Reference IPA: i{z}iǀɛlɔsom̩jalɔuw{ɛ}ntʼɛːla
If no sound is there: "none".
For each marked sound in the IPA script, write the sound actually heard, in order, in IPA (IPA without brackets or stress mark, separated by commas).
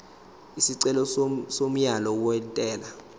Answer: s, ɛ